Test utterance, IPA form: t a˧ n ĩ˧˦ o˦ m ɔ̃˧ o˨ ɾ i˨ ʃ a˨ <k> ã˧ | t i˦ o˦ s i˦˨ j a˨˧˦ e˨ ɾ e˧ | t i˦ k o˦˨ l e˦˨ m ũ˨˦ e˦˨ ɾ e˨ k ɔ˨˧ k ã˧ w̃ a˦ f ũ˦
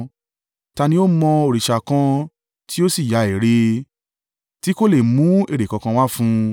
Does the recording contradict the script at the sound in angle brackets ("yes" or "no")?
no